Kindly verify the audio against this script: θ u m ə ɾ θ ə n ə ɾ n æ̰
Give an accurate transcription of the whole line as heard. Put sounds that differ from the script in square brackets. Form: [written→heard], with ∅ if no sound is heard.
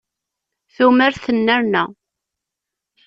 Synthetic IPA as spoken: θ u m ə ɾ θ ə [n→nː] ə ɾ n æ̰

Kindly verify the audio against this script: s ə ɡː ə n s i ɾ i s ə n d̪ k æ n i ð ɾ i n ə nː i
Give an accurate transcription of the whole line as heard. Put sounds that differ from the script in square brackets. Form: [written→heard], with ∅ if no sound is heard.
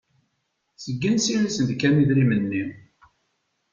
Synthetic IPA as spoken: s ə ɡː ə n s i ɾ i s ə n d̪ k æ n i ð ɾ i [n→m] ə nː i

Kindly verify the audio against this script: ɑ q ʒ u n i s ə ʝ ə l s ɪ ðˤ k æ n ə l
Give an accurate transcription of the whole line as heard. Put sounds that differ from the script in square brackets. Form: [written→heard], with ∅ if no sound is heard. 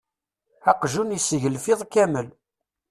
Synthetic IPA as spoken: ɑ q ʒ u n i s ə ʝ ə l [s→f] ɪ ðˤ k æ [n→m] ə l

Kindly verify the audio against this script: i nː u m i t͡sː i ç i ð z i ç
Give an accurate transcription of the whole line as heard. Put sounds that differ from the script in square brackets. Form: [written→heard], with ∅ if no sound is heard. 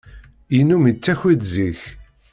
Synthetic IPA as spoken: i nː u m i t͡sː [i→æ] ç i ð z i ç

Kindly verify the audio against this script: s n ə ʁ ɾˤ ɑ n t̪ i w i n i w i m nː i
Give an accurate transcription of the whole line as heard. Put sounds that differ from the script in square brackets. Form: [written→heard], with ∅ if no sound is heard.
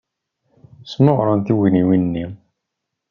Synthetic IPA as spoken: s [n→m] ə ʁ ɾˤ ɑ n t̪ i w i n i w i [m→n] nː i

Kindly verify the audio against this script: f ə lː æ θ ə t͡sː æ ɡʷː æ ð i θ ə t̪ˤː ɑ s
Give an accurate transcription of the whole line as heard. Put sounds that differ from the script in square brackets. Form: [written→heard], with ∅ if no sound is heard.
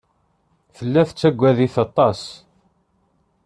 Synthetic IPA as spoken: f ə lː æ θ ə t͡sː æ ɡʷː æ ð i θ [ə→ɑ] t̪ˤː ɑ s

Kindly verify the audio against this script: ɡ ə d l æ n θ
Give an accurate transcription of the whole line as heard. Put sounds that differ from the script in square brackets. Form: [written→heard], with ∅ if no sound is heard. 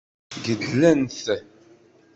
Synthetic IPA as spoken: ɡ ə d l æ n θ

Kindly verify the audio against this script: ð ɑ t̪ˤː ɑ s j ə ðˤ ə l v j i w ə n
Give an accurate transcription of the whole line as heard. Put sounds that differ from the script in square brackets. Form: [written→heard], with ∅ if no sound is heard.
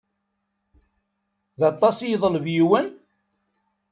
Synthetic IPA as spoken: ð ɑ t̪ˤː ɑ s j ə ðˤ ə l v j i w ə n

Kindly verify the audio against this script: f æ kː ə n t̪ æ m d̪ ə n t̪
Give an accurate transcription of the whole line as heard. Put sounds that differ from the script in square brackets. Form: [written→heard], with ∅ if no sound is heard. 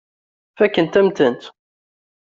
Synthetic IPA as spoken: f æ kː ə n t̪ æ m [d̪→t̪] ə n t̪

